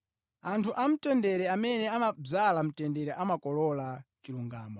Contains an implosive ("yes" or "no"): no